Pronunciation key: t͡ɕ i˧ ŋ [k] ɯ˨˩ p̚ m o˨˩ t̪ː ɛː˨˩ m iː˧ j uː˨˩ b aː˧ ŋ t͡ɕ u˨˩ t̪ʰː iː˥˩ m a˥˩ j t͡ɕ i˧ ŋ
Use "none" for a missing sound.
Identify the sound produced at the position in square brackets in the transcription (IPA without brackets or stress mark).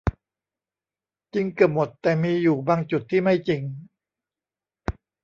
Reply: k